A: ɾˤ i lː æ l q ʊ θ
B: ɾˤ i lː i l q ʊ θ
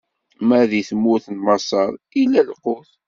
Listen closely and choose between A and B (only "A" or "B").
A